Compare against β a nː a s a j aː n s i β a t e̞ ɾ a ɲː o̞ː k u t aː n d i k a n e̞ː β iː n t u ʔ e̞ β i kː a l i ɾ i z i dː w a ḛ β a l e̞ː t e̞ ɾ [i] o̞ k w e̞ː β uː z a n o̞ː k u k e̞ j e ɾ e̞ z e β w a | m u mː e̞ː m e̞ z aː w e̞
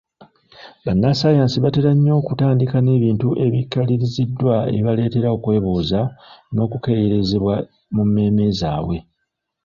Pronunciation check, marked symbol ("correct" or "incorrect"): incorrect